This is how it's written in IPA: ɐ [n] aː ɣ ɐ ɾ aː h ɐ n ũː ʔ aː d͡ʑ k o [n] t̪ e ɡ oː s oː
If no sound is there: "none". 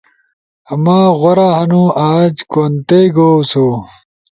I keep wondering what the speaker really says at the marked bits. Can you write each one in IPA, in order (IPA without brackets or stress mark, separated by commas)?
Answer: m, n